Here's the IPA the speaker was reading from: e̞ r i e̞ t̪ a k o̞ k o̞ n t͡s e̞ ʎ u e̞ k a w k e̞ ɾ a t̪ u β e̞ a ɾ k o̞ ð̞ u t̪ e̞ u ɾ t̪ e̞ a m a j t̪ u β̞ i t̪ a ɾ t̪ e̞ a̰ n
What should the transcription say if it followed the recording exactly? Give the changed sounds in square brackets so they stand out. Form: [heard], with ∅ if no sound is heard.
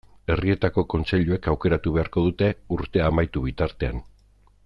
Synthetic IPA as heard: e̞ r i e̞ t̪ a k o̞ k o̞ n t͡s e̞ ʎ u e̞ k a w k e̞ ɾ a t̪ u β e̞ a ɾ k o̞ ð̞ u t̪ e̞ u ɾ t̪ e̞ a m a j t̪ u β̞ i t̪ a ɾ t̪ e̞ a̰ n

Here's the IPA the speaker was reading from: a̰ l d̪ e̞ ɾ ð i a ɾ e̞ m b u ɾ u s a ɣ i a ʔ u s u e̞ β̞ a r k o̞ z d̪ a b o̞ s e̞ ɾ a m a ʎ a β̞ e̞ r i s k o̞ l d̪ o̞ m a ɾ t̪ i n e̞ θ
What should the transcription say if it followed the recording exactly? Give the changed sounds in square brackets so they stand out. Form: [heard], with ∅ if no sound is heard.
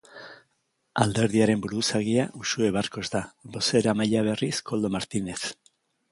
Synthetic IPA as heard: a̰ l d̪ e̞ ɾ ð i a ɾ e̞ m b u ɾ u s a ɣ i a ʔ u s u e̞ β̞ a r k o̞ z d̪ a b o̞ s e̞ ɾ a m a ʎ a β̞ e̞ r i s k o̞ l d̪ o̞ m a ɾ t̪ i n e̞ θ

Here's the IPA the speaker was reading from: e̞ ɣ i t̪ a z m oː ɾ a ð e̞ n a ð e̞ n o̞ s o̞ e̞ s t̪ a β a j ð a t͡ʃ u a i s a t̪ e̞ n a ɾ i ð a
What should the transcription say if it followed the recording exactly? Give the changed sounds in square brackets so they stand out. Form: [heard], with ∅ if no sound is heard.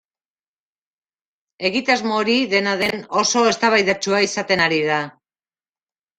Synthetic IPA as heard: e̞ ɣ i t̪ a z m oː ɾ [i] ð e̞ n a ð e̞ n o̞ s o̞ e̞ s t̪ a β a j ð a t͡ʃ u a i s a t̪ e̞ n a ɾ i ð a

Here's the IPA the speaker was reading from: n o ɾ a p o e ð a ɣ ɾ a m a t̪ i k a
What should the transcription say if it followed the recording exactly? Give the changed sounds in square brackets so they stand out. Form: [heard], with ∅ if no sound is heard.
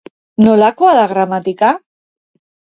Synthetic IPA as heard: n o [l] a [k] o [a] ð a ɣ ɾ a m a t̪ i k a

